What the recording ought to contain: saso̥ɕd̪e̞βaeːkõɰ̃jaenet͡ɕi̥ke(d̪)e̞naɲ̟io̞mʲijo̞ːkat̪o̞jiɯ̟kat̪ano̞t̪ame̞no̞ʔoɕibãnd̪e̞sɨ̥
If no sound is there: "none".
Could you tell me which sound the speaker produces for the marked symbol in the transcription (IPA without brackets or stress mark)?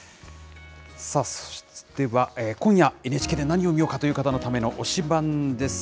d̪